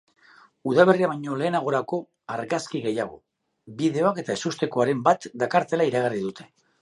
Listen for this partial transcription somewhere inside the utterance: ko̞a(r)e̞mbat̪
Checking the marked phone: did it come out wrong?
yes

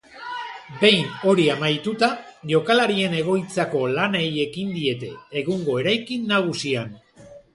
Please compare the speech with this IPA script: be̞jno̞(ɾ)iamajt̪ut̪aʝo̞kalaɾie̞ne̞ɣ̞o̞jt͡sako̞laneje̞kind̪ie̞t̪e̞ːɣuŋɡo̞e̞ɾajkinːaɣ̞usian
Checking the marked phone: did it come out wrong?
no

